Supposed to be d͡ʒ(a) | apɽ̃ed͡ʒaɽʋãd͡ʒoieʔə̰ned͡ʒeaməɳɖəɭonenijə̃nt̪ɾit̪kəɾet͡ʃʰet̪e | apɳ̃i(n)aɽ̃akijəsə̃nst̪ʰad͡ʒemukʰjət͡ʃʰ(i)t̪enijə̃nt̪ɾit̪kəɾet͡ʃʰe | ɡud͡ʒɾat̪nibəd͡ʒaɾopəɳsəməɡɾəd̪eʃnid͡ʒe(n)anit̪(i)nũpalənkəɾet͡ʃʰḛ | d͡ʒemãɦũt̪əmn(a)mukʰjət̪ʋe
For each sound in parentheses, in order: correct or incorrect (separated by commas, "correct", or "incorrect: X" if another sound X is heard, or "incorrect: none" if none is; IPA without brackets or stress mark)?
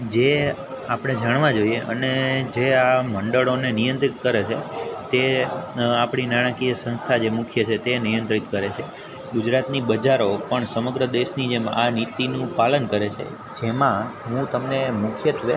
incorrect: e, correct, incorrect: e, incorrect: m, correct, incorrect: e